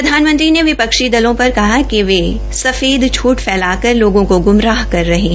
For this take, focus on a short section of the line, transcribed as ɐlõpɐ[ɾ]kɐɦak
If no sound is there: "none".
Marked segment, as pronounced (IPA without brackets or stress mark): ɾ